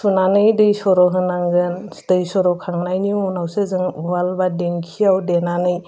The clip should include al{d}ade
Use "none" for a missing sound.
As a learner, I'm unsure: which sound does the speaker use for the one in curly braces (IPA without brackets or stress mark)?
b